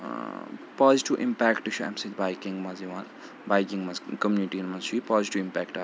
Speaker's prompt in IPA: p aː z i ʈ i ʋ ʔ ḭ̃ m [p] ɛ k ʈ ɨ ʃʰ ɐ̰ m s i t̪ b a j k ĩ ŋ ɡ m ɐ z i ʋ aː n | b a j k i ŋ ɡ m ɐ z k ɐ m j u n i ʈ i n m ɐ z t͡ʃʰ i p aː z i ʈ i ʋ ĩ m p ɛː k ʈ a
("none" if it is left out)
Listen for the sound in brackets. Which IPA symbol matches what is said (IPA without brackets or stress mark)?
p